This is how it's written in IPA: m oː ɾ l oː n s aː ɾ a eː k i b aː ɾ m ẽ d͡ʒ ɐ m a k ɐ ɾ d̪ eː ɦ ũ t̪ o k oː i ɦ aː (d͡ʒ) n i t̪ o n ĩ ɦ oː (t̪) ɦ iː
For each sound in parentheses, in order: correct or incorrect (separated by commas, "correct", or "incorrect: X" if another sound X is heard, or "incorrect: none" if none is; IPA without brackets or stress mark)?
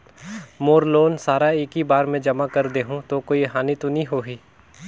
incorrect: none, incorrect: none